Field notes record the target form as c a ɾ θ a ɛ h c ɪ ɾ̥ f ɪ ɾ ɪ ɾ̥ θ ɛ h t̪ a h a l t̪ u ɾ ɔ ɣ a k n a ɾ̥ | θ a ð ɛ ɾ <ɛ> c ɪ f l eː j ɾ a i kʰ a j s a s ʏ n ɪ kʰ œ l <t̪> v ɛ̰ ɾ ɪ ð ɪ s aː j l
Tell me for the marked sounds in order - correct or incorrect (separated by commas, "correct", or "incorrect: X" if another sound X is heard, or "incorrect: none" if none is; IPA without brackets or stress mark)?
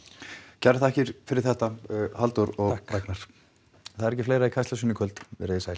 correct, correct